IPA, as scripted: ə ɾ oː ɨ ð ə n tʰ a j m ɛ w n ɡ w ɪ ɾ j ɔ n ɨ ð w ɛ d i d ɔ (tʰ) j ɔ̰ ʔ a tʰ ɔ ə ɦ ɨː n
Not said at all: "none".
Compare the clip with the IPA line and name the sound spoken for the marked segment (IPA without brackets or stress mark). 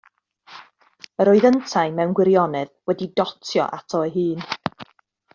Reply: tʰ